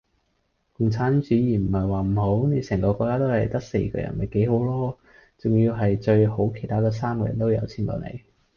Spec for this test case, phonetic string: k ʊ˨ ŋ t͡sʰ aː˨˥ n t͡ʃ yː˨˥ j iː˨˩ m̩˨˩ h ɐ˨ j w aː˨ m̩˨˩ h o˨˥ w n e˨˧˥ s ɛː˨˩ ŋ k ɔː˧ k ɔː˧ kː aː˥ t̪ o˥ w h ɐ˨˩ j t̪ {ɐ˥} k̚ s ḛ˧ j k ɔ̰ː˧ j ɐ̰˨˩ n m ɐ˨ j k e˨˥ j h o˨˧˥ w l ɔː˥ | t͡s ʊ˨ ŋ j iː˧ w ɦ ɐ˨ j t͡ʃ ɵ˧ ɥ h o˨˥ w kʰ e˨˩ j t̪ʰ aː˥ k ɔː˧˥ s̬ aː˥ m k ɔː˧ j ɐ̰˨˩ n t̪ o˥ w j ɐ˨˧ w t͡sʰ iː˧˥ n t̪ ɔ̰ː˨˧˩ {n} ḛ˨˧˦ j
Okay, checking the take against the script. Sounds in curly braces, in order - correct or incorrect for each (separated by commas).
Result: correct, correct